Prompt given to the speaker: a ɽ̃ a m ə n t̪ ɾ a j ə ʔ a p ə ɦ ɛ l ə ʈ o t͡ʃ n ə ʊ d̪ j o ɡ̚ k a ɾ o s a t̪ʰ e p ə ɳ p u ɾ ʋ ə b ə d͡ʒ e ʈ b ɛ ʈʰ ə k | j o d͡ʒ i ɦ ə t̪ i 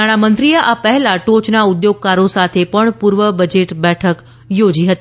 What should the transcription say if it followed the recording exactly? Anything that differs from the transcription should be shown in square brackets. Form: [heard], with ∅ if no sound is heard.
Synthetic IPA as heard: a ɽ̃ a m ə n t̪ ɾ [i] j ə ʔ a p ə ɦ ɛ l [a] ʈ o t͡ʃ n [a] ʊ d̪ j o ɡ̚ k a ɾ o s a t̪ʰ e p ə ɳ p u ɾ ʋ ə b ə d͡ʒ e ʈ b ɛ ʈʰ ə k | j o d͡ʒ i ɦ ə t̪ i